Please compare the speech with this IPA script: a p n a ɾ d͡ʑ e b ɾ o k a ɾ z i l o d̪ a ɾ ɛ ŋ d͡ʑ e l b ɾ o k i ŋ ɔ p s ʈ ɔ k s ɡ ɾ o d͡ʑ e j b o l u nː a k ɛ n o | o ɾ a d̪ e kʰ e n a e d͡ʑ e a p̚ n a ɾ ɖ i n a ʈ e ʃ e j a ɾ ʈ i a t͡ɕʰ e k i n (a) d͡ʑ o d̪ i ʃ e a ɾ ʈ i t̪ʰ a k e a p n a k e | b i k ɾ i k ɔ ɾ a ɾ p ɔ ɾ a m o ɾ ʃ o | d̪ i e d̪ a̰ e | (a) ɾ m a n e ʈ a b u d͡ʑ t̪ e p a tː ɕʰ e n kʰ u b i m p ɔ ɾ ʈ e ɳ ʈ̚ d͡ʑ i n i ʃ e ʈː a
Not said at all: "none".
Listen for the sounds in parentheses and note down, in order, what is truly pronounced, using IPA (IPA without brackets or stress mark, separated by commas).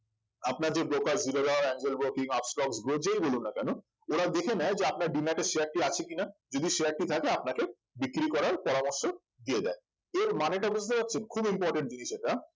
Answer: a, e